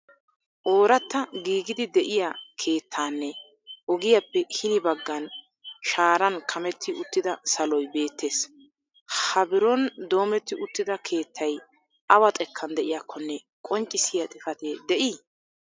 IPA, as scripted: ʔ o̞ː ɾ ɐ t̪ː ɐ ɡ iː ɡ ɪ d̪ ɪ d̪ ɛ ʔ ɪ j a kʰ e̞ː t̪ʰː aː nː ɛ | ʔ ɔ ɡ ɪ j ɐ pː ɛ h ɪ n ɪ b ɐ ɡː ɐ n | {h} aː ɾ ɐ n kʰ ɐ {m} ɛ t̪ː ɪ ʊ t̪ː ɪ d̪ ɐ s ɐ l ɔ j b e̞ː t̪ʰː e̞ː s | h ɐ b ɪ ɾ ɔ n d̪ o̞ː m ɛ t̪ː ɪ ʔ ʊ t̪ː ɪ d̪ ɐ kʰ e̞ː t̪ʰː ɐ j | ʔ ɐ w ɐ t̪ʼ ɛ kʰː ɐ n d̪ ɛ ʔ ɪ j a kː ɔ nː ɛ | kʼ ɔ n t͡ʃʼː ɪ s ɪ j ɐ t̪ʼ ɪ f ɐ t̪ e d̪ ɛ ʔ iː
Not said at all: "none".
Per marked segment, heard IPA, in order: ʃ, m

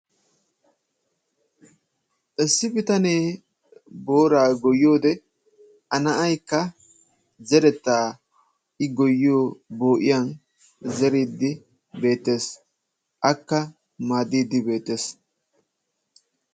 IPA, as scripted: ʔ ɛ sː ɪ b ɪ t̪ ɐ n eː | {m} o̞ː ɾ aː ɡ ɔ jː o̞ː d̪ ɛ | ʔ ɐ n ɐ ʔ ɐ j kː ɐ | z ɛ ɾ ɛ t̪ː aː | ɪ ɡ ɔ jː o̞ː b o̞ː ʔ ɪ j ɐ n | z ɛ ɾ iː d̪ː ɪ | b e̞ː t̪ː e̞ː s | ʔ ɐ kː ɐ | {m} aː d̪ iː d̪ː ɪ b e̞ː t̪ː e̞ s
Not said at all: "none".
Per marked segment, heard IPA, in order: b, m

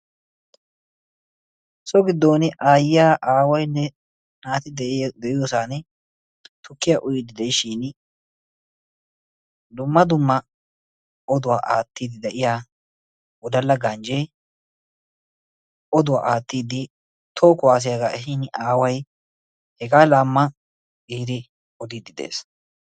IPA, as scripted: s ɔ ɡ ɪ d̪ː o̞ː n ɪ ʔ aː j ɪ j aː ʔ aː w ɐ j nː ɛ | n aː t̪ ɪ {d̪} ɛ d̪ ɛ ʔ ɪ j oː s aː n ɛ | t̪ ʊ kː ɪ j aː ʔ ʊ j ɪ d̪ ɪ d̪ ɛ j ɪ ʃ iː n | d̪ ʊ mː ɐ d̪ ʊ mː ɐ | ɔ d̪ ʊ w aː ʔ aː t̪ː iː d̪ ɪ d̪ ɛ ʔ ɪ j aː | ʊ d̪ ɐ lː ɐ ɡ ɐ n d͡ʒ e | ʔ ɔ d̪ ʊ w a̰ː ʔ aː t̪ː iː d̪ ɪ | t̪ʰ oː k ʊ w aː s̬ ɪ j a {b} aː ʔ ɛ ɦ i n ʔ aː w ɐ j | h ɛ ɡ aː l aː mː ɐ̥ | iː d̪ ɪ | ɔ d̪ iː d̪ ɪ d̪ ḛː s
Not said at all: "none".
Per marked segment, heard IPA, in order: d̪, ɡ

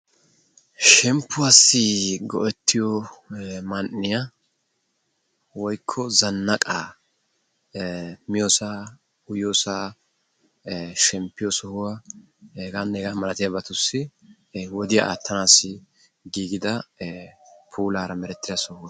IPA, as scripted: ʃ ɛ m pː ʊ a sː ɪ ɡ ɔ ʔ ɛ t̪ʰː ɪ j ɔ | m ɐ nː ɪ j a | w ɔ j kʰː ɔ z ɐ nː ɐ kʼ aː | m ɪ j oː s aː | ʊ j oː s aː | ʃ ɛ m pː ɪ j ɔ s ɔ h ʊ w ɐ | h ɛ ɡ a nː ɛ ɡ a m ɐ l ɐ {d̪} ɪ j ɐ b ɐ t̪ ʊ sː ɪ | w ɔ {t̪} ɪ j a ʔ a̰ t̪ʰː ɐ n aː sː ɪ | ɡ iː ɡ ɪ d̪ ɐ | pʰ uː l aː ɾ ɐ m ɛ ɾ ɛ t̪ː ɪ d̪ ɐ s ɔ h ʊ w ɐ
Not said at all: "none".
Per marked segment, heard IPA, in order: t̪, d̪

